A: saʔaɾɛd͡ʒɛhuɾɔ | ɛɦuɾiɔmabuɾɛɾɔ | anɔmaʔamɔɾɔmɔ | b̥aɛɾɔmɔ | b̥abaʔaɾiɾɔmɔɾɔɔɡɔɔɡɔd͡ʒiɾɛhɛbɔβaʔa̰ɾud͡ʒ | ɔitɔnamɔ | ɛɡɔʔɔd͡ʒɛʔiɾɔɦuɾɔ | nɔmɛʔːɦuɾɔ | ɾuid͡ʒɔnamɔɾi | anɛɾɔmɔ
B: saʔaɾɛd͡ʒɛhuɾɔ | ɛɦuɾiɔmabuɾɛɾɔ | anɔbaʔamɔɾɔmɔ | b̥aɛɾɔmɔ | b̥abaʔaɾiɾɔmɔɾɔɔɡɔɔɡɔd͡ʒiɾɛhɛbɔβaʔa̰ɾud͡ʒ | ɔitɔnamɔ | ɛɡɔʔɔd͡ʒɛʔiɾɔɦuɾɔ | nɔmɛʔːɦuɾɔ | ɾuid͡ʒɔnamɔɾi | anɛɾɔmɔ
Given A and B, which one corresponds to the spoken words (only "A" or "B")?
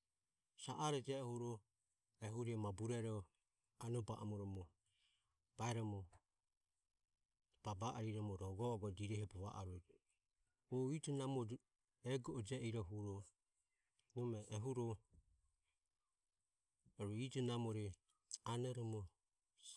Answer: B